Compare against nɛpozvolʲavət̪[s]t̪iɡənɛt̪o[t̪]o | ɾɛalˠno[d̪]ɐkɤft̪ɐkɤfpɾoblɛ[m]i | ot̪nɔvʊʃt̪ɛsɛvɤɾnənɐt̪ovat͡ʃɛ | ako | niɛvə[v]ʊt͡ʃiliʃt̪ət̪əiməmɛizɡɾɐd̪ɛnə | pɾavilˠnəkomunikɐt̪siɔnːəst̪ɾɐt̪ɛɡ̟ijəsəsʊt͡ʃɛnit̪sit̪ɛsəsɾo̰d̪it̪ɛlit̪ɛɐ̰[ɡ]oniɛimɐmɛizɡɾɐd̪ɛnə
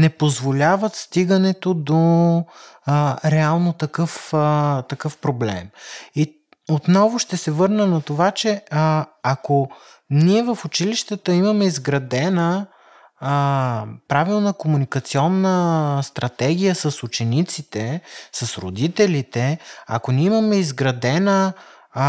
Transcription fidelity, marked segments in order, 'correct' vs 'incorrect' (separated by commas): correct, incorrect, incorrect, correct, incorrect, incorrect